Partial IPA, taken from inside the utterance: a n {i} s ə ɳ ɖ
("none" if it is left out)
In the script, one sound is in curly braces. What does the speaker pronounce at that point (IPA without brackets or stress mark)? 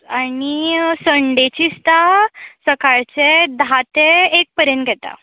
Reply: i